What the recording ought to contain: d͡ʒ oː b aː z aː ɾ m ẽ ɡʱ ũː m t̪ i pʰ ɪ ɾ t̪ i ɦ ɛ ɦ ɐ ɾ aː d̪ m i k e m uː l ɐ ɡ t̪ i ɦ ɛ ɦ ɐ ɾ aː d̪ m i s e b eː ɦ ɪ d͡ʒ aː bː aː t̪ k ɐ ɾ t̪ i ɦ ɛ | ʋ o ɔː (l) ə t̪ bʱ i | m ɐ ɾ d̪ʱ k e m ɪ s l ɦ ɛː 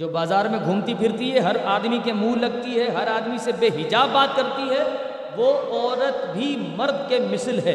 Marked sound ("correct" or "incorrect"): incorrect